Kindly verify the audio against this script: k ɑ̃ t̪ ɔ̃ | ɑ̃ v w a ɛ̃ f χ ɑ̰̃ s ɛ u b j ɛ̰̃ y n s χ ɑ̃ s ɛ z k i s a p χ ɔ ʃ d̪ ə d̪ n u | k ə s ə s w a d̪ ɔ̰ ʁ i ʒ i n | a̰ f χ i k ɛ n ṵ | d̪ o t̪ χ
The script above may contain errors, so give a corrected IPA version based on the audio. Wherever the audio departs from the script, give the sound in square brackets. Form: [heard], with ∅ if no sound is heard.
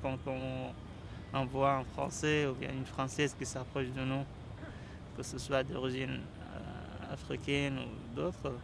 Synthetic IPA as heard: k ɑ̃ t̪ ɔ̃ | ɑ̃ v w a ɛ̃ f χ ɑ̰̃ s ɛ u b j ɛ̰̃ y n [f] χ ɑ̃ s ɛ z k i s a p χ ɔ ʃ d̪ ə [∅] n u | k ə s ə s w a d̪ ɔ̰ ʁ i ʒ i n | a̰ f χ i k ɛ n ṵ | d̪ o t̪ χ